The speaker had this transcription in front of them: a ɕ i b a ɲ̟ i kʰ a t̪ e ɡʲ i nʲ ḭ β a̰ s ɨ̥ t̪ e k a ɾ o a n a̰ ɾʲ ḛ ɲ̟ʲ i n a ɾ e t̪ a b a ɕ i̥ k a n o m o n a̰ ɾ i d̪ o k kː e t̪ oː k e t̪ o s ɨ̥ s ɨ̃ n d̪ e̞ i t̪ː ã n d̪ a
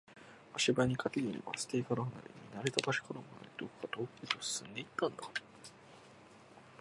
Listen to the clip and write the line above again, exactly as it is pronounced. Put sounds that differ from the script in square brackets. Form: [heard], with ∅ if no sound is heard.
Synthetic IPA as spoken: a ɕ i b a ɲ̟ i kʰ a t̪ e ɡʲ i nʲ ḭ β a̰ s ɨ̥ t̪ e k a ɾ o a n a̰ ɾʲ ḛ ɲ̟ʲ i n a ɾ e t̪ a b a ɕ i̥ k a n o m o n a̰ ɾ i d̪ o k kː [a] t̪ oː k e t̪ o s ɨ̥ s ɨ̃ n d̪ e̞ i t̪ː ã n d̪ a